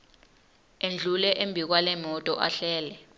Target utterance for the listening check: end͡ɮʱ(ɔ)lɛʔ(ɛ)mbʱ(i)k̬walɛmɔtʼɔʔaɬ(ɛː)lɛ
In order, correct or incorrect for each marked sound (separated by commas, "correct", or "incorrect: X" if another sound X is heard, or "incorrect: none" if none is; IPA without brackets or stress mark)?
incorrect: u, incorrect: e, correct, correct